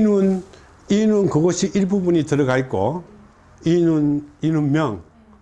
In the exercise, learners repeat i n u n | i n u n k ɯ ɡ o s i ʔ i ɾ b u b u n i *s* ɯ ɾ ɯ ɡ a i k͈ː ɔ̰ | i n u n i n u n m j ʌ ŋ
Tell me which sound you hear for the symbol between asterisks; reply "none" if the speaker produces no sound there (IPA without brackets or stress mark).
t